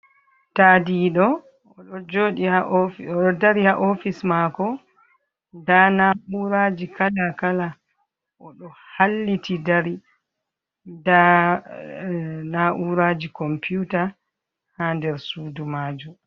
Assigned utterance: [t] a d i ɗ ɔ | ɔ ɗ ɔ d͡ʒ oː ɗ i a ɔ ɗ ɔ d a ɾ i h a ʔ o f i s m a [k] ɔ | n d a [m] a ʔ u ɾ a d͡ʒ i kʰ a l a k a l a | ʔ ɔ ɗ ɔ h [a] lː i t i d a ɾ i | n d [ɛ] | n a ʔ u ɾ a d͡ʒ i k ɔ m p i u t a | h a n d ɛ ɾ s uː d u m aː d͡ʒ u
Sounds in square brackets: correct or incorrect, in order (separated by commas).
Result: correct, correct, incorrect, correct, incorrect